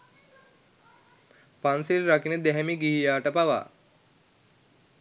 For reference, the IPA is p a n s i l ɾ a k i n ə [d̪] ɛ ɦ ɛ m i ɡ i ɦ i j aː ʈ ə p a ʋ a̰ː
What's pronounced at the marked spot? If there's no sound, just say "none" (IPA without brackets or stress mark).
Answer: d̪